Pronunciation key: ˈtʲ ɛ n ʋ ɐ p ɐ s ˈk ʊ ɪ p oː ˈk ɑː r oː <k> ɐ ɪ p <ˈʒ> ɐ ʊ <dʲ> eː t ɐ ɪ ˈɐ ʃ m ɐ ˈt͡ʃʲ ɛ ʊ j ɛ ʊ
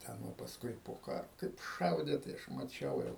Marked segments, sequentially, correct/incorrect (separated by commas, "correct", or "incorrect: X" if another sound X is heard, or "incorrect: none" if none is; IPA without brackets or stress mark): correct, incorrect: ʃ, correct